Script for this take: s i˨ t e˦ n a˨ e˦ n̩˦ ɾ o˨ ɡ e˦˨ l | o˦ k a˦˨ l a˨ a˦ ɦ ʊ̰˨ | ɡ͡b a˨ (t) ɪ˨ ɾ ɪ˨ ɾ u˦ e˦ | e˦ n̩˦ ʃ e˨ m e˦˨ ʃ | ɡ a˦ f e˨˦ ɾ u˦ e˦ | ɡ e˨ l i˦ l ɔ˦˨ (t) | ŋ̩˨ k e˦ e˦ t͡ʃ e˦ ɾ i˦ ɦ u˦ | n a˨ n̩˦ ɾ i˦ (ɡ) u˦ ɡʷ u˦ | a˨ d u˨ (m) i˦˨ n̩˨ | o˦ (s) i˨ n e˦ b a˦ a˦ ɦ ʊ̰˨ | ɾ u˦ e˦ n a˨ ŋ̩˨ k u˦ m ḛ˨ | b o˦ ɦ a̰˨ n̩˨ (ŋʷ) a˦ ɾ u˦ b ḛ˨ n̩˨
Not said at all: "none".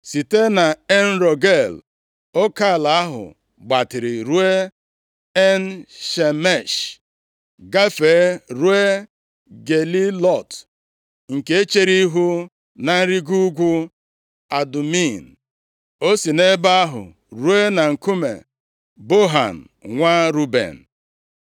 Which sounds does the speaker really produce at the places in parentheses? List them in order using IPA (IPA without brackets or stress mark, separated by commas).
t, t, ɡ, m, s, ŋʷ